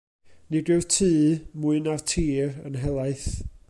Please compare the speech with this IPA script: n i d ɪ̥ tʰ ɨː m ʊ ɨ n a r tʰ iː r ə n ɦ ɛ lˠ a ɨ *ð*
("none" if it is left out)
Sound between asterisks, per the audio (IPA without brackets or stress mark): θ